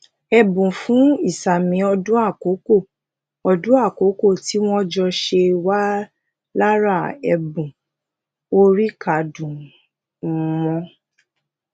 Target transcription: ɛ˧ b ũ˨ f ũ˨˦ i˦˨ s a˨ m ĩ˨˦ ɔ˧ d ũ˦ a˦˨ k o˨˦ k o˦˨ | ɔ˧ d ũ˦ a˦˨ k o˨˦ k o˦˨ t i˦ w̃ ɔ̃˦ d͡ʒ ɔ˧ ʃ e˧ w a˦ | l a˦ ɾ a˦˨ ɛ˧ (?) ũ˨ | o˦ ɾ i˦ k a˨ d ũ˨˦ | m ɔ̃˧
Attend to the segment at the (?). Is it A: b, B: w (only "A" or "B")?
A